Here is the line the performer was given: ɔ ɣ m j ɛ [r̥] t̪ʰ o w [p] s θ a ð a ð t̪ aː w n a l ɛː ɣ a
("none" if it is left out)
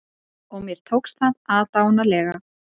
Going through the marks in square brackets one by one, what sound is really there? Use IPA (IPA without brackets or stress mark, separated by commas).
ɾ̥, k